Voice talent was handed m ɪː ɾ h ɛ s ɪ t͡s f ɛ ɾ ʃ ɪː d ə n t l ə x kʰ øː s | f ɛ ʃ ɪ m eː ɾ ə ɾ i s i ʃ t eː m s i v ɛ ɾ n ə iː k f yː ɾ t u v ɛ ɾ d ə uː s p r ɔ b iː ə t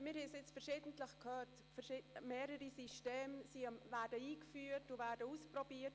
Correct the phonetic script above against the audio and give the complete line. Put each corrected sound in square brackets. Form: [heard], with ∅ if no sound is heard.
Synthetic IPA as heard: m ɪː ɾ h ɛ s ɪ t͡s f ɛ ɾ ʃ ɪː d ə n t l ə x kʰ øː [t] | f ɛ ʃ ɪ m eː ɾ ə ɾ i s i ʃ t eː m s i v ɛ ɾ [d] ə iː k f yː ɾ t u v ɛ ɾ d ə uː s p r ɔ b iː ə t